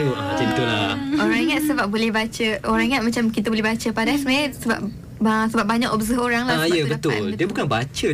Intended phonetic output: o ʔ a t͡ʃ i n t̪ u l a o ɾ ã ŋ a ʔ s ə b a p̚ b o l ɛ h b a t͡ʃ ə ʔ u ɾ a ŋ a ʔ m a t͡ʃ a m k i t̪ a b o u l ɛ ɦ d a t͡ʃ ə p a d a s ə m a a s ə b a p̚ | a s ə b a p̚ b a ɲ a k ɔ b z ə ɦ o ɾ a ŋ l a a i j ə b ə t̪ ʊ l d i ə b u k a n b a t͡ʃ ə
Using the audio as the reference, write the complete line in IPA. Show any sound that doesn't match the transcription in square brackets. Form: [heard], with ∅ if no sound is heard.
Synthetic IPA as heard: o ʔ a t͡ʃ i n t̪ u l a o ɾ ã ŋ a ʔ s ə b a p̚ b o l ɛ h b a t͡ʃ ə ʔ [o] ɾ a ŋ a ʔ m a t͡ʃ a m k i t̪ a b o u l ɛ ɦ [b] a t͡ʃ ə p a d a s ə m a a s ə b a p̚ | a s ə b a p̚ b a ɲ a k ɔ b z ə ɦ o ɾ a ŋ l a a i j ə b ə t̪ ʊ l d i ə b u k a n b a t͡ʃ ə